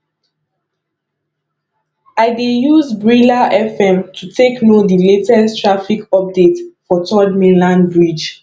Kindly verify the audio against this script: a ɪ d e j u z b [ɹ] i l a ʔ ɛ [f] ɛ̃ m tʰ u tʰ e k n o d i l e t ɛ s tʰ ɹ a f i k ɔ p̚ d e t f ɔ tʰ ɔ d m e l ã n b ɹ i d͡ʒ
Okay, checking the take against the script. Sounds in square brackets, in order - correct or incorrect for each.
correct, correct

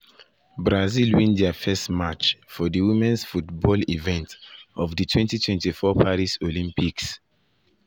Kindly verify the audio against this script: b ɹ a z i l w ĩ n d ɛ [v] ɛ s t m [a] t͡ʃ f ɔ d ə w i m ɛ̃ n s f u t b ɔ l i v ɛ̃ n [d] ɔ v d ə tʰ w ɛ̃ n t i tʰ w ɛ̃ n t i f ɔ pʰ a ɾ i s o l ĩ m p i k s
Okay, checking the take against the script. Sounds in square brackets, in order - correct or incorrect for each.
incorrect: f, correct, incorrect: t

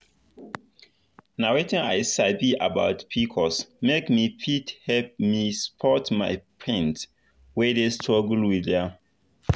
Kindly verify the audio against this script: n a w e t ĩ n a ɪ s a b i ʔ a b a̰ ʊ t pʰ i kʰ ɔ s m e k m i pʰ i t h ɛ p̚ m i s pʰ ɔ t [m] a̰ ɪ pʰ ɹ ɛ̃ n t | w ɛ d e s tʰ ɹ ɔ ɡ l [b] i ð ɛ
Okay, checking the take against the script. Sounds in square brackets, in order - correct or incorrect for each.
correct, incorrect: w

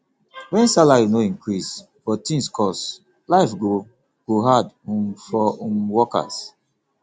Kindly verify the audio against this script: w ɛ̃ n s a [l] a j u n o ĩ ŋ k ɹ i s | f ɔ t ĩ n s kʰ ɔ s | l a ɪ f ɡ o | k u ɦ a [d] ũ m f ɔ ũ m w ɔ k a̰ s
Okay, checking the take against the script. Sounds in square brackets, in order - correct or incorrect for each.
correct, correct

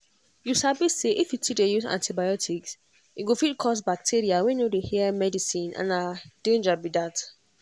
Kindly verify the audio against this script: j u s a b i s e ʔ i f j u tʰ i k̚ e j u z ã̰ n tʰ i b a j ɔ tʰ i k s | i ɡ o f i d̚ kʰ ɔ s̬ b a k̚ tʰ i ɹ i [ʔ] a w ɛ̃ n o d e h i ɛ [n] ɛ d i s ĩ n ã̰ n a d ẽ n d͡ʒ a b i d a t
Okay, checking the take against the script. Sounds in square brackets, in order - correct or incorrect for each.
incorrect: none, incorrect: m

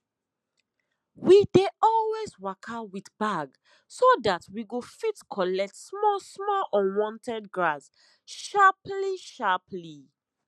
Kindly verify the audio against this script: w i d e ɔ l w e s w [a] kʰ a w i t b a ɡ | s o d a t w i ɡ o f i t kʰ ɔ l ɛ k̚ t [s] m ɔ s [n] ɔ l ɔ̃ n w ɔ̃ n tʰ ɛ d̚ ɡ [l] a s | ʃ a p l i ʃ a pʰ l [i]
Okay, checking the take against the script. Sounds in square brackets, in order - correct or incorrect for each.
correct, correct, incorrect: m, incorrect: ɹ, correct

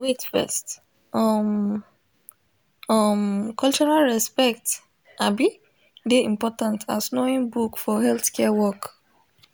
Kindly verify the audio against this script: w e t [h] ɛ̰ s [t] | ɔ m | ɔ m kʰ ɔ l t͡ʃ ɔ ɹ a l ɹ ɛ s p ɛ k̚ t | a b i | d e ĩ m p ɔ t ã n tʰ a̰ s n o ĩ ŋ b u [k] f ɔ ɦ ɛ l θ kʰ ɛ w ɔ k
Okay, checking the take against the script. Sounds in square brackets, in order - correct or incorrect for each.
incorrect: f, correct, correct

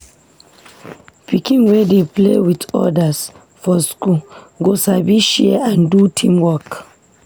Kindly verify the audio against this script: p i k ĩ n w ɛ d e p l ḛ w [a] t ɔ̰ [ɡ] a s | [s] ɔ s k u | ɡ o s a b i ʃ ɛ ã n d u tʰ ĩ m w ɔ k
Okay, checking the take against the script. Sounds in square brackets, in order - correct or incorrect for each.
incorrect: i, incorrect: d, incorrect: f

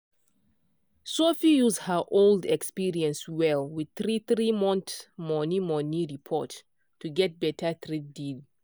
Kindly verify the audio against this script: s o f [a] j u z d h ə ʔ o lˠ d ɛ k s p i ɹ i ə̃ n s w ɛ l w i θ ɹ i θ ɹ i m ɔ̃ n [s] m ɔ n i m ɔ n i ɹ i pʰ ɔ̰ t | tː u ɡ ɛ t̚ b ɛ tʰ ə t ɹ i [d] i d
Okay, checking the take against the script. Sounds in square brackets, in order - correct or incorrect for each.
incorrect: i, incorrect: t, correct

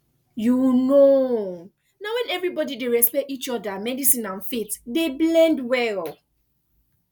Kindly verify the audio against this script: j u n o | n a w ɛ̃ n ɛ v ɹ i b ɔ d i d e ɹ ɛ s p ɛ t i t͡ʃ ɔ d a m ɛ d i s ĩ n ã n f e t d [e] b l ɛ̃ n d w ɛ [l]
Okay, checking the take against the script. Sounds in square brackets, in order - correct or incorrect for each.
correct, correct

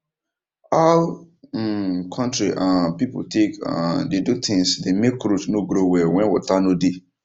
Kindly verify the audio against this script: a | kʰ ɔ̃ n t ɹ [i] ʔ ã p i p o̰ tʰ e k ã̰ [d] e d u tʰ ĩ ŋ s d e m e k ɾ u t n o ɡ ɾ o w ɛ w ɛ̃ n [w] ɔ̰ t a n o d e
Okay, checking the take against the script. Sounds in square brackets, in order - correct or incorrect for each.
correct, correct, correct

